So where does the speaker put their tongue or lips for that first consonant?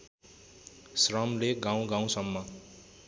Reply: tongue tip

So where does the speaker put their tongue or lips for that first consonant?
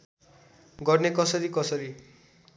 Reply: velum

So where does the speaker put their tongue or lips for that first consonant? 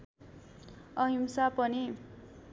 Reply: throat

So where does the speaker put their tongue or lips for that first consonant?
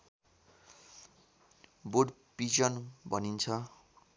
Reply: lips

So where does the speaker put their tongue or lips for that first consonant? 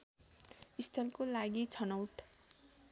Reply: tongue tip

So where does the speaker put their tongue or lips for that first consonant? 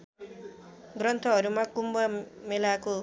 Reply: velum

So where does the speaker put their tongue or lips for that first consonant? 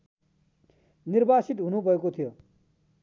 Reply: tongue tip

